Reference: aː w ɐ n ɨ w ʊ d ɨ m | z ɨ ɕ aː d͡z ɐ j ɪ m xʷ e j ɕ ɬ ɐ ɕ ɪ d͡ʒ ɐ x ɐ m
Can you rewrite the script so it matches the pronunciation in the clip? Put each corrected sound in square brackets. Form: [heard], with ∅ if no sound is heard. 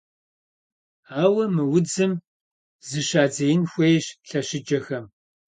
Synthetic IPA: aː w ɐ [m] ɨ w ʊ [d͡z] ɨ m | z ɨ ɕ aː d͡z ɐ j ɪ [n] xʷ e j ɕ ɬ ɐ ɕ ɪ d͡ʒ ɐ x ɐ m

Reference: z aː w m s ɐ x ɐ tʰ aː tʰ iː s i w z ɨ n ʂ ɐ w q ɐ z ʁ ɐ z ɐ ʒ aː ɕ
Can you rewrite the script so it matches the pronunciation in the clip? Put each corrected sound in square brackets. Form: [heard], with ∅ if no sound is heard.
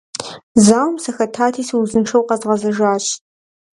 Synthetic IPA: z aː w m s ɐ x ɐ tʰ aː tʰ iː s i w z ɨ n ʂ ɐ w q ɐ z ʁ ɐ z ɐ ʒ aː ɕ

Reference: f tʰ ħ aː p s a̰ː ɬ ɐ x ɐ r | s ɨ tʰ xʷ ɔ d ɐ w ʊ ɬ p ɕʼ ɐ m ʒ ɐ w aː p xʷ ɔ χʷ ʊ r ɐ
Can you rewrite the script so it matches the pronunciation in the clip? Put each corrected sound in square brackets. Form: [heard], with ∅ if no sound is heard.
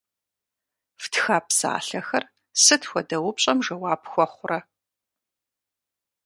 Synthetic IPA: f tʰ [x] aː p s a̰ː ɬ ɐ x ɐ r | s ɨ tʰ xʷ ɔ d ɐ w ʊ [∅] p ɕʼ ɐ m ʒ ɐ w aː p xʷ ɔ χʷ ʊ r ɐ

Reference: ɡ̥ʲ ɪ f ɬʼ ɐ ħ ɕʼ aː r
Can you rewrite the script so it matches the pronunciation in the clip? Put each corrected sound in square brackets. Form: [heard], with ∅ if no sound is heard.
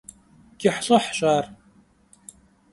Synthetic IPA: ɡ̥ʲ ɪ [ħ] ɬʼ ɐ ħ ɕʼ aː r

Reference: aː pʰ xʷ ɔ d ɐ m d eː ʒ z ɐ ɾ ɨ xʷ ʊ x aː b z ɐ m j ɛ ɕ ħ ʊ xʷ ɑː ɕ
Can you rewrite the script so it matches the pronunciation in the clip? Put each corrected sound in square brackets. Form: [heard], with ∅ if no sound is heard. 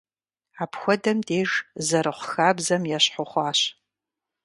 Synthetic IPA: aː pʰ xʷ ɔ d ɐ m d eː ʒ z ɐ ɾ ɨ [χʷ] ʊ x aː b z ɐ m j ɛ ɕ ħ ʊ [χʷ] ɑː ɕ

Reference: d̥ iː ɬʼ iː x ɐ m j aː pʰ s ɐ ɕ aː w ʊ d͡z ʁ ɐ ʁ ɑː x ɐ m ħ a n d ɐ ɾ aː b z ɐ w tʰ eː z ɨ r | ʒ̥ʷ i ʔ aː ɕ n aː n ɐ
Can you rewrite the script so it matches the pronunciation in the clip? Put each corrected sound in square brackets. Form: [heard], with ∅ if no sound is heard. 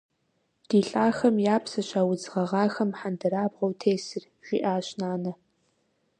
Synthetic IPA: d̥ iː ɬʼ [aː] x ɐ m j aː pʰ s ɐ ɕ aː w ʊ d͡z ʁ ɐ ʁ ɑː x ɐ m ħ a n d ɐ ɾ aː b [ʁ] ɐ w tʰ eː [s] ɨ r | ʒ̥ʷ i ʔ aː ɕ n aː n ɐ

